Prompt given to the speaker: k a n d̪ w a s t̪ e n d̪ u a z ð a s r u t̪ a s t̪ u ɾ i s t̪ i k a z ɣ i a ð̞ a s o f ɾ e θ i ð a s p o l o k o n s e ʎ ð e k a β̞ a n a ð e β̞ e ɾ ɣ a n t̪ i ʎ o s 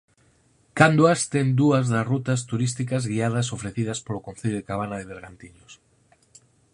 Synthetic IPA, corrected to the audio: k a n d̪ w a s t̪ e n d̪ u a z ð a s r u t̪ a s t̪ u ɾ i s t̪ i k a z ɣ i a ð̞ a s o f ɾ e θ i ð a s p o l o k o n θ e ʎ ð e k a β̞ a n a ð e β̞ e ɾ ɣ a n t̪ i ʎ o s